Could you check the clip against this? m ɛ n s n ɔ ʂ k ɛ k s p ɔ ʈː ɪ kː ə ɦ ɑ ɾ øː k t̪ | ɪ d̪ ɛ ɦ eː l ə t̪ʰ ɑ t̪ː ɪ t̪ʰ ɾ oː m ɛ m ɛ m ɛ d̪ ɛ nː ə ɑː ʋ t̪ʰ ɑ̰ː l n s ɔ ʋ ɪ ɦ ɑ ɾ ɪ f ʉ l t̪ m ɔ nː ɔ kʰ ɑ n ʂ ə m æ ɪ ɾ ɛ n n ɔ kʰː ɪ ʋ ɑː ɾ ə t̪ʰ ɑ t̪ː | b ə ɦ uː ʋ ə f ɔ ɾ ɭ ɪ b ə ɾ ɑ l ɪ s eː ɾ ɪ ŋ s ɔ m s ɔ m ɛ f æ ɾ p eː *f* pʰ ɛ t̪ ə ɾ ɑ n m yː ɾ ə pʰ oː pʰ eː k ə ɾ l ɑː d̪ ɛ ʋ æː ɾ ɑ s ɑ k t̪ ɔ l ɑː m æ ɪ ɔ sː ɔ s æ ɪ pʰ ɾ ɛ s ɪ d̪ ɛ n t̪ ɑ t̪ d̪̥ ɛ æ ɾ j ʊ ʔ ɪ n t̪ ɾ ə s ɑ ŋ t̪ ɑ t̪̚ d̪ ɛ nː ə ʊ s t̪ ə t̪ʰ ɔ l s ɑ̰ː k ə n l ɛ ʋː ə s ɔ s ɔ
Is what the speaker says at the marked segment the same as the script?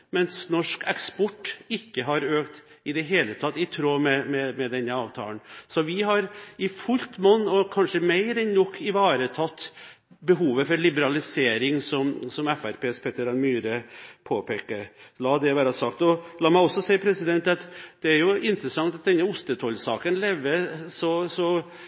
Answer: no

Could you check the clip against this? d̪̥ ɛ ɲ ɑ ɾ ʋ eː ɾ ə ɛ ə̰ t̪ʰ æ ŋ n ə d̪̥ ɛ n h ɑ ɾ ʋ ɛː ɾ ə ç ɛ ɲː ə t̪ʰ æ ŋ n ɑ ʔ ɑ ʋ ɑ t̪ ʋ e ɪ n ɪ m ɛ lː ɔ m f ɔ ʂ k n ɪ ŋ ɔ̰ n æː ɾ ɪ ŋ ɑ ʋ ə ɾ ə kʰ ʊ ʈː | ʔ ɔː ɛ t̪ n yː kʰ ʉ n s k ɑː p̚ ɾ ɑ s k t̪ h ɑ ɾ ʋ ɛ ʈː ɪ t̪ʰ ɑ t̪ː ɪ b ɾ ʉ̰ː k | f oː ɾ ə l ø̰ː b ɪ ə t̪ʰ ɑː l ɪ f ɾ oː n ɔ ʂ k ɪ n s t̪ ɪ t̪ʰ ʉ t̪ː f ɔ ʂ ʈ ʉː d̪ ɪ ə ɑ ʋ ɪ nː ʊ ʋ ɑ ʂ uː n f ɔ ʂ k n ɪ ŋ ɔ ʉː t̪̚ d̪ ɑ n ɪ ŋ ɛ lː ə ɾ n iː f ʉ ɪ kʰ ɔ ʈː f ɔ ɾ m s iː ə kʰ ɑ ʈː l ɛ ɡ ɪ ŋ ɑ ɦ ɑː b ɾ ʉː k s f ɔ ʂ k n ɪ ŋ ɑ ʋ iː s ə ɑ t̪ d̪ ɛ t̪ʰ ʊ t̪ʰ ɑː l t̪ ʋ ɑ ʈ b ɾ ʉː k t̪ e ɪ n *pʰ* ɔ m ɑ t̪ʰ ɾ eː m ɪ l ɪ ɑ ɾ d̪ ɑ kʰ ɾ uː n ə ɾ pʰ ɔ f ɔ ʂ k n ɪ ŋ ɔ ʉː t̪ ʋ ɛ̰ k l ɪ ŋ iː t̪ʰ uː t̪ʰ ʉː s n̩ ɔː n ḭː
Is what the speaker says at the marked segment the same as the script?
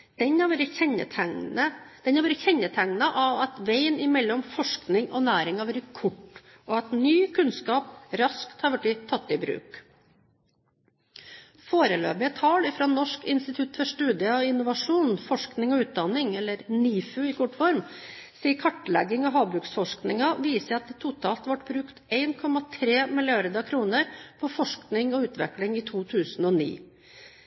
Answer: no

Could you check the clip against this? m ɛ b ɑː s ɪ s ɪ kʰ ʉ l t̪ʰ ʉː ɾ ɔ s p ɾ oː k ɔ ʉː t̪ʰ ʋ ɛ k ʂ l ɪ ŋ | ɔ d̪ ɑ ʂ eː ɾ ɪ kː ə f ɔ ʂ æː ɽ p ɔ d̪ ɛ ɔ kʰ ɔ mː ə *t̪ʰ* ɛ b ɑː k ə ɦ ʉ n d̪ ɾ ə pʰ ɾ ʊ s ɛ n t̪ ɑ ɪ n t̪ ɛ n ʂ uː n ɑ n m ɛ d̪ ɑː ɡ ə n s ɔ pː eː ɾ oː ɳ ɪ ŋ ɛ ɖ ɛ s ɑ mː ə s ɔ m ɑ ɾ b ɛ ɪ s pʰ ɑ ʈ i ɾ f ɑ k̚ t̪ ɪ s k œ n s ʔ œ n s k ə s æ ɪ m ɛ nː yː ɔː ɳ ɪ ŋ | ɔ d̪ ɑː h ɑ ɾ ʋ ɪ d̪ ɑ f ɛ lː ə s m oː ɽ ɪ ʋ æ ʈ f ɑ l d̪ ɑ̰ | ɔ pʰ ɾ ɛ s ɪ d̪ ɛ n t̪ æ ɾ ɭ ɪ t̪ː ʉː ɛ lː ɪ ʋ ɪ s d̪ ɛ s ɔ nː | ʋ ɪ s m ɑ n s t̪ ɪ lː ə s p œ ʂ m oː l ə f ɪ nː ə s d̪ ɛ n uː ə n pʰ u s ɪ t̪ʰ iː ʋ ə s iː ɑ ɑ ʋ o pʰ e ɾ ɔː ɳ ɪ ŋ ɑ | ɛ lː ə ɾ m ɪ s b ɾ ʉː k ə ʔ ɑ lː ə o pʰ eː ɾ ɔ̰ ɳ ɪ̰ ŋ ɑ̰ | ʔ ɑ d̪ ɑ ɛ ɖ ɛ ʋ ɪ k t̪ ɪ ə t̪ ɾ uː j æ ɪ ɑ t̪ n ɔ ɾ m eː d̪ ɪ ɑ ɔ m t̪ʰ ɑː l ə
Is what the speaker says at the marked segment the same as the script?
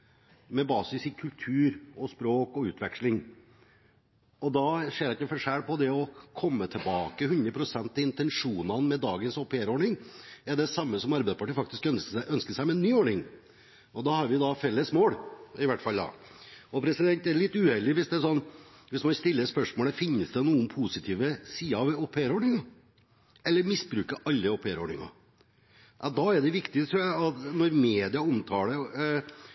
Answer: yes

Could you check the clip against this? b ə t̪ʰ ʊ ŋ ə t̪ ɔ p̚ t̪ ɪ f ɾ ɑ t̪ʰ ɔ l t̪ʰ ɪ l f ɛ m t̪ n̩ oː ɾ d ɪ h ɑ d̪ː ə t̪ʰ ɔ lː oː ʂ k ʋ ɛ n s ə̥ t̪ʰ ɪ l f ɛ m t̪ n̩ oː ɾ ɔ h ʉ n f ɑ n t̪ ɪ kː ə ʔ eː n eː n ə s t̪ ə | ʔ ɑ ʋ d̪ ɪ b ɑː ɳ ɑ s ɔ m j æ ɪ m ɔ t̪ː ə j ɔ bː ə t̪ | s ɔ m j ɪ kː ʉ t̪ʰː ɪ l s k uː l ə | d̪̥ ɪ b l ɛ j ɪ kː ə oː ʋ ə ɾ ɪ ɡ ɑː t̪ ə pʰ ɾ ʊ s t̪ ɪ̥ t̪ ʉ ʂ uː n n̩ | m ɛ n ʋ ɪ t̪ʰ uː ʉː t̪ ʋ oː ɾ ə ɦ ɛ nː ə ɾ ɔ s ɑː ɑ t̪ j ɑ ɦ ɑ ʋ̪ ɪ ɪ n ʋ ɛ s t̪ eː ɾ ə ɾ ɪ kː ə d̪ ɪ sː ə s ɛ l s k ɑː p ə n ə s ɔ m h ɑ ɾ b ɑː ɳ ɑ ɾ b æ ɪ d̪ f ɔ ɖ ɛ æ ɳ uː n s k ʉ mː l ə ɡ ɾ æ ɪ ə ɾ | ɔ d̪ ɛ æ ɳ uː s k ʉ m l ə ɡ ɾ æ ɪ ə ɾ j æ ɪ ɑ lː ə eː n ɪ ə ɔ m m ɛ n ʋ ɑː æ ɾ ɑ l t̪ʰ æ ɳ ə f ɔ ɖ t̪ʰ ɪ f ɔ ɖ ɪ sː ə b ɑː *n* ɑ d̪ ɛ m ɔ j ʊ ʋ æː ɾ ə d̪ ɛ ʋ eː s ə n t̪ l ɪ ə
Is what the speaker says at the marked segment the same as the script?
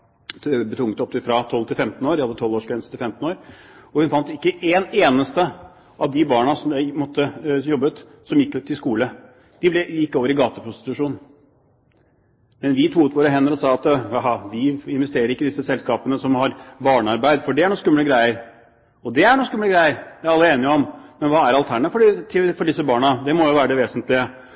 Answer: no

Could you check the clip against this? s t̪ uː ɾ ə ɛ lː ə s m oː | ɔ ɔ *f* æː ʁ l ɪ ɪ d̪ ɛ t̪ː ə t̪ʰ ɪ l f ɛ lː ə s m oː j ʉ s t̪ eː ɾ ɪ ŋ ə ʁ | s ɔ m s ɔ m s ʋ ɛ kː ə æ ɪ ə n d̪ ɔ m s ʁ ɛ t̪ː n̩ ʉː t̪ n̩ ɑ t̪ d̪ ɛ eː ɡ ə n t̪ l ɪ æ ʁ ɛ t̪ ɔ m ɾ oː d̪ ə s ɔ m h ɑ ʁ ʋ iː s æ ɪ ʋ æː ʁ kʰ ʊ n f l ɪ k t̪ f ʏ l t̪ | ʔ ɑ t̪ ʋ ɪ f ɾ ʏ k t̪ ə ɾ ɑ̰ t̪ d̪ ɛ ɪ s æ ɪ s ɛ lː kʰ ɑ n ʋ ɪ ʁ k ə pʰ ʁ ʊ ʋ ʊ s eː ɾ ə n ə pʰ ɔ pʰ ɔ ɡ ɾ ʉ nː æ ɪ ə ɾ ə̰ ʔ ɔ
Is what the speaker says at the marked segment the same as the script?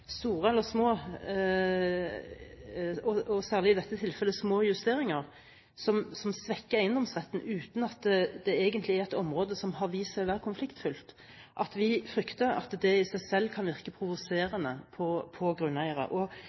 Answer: no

